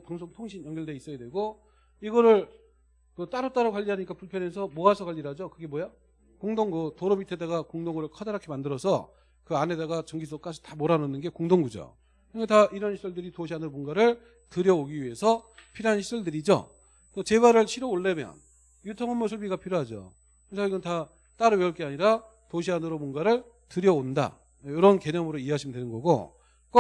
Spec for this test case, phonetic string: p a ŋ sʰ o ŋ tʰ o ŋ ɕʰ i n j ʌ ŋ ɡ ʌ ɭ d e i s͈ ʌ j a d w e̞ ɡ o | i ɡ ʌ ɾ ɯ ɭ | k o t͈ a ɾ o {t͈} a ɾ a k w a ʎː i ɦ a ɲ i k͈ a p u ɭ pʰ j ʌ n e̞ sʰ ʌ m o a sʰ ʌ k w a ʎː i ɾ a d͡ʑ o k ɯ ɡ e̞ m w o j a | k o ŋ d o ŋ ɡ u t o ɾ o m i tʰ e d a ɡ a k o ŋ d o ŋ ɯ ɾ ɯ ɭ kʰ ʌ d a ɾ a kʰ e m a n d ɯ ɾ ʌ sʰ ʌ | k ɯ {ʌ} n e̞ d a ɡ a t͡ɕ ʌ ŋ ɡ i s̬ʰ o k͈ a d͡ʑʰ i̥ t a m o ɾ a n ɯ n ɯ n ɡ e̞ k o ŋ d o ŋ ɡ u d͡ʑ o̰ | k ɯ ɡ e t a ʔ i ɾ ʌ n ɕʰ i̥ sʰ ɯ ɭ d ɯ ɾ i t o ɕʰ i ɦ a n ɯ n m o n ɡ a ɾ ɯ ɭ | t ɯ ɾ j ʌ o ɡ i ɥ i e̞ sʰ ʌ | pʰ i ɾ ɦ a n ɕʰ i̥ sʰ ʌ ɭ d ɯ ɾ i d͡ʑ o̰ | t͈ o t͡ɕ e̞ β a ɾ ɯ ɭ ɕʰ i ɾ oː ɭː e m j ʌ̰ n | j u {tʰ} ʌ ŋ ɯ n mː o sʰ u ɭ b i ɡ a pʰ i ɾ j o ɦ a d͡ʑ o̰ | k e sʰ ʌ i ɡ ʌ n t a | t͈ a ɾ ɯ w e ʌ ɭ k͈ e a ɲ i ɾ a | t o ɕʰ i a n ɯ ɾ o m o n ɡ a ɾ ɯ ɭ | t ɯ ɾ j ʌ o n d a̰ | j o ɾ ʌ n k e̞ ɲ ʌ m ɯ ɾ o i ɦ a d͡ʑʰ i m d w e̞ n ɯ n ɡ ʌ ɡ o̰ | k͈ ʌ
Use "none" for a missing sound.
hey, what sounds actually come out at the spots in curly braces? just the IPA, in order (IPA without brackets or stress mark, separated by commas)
t͈, a, tʰ